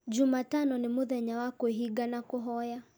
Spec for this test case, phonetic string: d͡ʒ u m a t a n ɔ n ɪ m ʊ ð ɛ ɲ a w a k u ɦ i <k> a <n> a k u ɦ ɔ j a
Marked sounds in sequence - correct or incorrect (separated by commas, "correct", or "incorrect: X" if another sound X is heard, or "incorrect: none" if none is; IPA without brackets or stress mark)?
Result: incorrect: ɡ, correct